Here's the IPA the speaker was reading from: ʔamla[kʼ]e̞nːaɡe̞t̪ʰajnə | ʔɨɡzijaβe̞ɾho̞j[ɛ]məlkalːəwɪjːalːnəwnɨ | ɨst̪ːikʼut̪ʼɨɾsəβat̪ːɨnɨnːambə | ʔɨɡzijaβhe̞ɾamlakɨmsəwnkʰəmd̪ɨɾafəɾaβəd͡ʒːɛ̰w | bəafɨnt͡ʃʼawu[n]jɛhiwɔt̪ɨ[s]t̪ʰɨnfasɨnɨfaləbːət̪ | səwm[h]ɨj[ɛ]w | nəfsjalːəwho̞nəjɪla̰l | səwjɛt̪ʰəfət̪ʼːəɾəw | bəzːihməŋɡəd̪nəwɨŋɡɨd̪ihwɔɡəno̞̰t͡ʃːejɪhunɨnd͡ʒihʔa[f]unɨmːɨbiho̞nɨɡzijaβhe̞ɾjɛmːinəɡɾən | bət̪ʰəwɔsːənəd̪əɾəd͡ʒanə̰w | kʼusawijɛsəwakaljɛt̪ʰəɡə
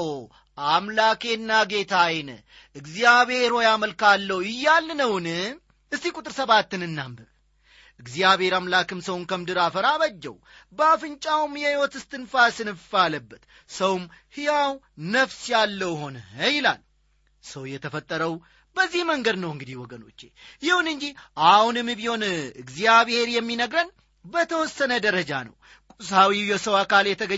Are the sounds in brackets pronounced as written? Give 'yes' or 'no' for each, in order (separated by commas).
no, no, no, yes, yes, no, no